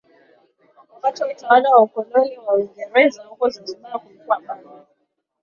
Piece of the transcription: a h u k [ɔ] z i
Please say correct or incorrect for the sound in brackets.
correct